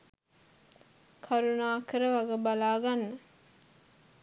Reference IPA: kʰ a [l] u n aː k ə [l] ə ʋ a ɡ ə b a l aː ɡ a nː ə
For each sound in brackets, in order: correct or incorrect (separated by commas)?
incorrect, incorrect